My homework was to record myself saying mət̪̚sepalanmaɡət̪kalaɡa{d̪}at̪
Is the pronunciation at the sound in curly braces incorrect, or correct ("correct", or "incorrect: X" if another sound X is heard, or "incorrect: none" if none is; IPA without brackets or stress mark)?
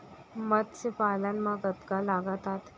incorrect: t̪